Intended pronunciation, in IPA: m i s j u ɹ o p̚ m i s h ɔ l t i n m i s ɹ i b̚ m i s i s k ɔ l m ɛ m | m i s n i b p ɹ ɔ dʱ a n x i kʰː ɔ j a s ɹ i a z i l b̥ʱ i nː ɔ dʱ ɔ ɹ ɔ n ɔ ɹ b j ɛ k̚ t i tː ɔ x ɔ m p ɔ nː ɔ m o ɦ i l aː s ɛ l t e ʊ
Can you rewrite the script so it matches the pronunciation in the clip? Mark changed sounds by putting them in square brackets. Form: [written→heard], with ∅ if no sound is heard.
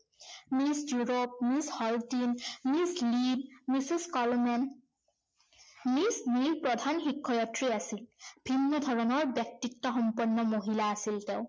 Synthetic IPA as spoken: m i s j u ɹ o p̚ m i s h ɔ l t i n m i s [ɹ→l] i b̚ m i s i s k ɔ l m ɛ [m→n] | m i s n i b p ɹ ɔ dʱ a n x i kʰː ɔ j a [s→t] ɹ i a [z→s] i l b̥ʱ i nː ɔ dʱ ɔ ɹ ɔ n ɔ ɹ b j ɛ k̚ t i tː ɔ x ɔ m p ɔ nː ɔ m o ɦ i l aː s [ɛ→i] l t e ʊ